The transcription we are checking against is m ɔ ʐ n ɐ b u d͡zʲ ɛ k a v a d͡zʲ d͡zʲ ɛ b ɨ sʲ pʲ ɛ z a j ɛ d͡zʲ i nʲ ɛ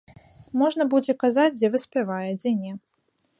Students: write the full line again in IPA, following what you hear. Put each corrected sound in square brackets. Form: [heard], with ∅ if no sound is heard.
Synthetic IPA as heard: m ɔ ʐ n ɐ b u d͡zʲ ɛ k a [z] a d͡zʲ d͡zʲ ɛ [v] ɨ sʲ pʲ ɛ [v] a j ɛ d͡zʲ [ɛ] nʲ ɛ